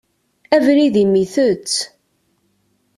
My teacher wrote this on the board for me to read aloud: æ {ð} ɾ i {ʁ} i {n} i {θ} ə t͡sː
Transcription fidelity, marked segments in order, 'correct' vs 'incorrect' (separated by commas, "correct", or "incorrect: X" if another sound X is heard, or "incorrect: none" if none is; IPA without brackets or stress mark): incorrect: v, incorrect: ð, incorrect: m, correct